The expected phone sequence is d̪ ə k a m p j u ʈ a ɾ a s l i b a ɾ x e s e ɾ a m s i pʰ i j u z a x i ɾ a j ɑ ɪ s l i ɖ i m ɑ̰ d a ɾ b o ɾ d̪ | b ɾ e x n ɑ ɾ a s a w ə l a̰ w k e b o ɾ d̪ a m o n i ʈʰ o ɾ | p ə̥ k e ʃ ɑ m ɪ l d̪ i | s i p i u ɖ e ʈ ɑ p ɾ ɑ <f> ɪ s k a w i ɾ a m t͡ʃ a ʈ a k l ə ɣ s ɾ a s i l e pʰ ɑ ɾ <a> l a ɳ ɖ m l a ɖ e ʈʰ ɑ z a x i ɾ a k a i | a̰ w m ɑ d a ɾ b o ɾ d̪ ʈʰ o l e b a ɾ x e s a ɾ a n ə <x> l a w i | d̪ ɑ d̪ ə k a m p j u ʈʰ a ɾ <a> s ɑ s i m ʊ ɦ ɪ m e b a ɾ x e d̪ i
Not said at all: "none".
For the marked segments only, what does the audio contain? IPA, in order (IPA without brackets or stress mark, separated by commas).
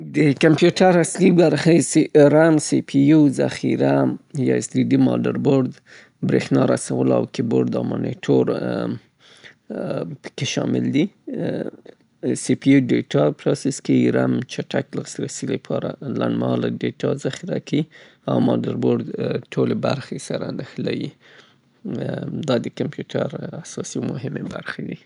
s, a, x, a